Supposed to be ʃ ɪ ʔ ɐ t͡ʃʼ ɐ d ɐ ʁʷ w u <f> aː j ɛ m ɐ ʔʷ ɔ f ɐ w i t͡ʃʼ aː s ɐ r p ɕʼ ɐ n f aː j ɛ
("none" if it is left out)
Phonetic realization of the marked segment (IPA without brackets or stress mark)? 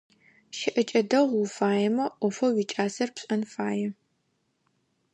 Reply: f